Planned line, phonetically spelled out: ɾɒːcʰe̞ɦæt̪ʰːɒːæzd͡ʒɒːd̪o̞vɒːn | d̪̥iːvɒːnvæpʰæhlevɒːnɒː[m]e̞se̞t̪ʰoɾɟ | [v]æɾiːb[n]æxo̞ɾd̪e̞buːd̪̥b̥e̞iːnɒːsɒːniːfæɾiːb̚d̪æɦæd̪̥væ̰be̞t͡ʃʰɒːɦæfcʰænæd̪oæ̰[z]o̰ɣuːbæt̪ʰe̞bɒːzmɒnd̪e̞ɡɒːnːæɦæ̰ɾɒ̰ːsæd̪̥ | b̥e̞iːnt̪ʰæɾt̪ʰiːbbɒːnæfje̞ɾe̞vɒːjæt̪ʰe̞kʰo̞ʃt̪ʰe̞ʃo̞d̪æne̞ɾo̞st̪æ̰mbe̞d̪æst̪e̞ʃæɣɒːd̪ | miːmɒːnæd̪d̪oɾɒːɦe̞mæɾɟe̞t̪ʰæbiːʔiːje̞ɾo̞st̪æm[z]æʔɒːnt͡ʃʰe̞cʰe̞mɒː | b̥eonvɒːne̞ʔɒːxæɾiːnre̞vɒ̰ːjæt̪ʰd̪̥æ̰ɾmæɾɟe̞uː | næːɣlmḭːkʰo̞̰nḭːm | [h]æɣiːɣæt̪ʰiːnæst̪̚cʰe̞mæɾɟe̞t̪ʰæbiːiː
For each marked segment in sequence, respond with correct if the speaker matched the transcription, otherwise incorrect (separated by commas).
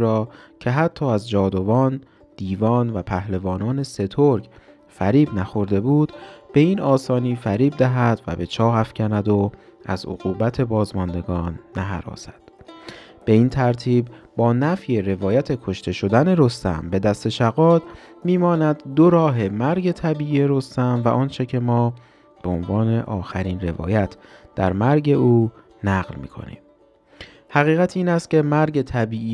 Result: incorrect, incorrect, correct, correct, incorrect, correct